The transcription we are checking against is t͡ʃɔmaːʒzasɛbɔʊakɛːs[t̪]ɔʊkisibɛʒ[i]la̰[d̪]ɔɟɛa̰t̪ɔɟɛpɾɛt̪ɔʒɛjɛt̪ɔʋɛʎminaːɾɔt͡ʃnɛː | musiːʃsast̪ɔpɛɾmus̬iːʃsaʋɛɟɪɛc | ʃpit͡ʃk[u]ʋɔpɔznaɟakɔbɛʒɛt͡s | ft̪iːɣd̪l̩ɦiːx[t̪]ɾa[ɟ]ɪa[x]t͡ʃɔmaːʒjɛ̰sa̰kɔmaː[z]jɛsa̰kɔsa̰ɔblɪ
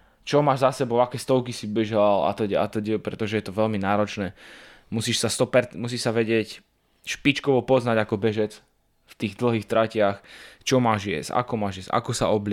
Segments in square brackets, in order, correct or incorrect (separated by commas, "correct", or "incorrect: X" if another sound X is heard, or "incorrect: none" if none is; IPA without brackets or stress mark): correct, incorrect: a, incorrect: t̪, incorrect: ɔ, correct, incorrect: c, correct, incorrect: ʒ